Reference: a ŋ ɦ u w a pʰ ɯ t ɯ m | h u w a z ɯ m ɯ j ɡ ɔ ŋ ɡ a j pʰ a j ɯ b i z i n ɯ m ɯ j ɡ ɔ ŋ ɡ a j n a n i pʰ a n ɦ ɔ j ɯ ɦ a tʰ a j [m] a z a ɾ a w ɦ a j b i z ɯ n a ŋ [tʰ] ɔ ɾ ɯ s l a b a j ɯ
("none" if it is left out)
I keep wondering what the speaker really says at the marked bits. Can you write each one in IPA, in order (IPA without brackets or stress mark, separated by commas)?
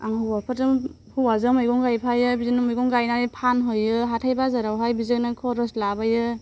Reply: b, kʰ